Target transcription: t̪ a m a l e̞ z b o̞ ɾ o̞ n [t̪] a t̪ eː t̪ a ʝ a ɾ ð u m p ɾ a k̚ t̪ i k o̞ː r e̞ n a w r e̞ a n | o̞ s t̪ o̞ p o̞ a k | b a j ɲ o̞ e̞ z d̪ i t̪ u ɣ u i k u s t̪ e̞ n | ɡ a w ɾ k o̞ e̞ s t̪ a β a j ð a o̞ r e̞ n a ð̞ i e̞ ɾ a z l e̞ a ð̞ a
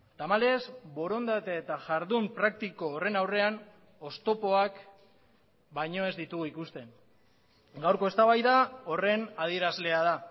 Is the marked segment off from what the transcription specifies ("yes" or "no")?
yes